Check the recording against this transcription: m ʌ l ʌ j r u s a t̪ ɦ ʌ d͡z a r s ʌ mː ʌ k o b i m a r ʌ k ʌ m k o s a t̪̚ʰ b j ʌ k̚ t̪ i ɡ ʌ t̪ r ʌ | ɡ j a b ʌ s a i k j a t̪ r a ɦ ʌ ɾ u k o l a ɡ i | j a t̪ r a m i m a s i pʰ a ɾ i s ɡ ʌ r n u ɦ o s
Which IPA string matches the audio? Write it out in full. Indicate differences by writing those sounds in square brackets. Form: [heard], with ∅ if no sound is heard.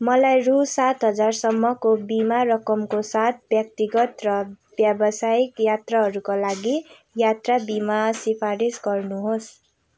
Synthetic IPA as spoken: m ʌ l [a] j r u s a t̪ ɦ ʌ d͡z a r s ʌ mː ʌ k o b i m a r ʌ k ʌ m k o s a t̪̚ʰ b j ʌ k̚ t̪ i ɡ ʌ t̪ r ʌ | [b] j a b ʌ s a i k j a t̪ r a ɦ ʌ ɾ u k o l a ɡ i | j a t̪ r a [b] i m a s i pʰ a ɾ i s ɡ ʌ r n u ɦ o s